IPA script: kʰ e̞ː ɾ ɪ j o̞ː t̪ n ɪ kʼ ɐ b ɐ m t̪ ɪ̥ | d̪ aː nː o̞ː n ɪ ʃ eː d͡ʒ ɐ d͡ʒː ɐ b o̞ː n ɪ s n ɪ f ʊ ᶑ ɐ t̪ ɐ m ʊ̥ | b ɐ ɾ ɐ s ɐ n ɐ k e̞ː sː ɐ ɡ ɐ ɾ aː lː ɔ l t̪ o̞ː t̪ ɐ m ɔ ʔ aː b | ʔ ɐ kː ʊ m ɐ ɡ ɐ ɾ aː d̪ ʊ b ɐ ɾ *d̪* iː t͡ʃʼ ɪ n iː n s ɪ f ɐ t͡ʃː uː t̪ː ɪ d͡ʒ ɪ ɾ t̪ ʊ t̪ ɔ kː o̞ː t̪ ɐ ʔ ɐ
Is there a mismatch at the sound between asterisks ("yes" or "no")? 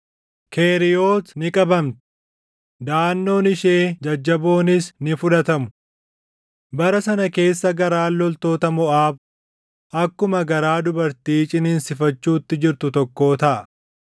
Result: yes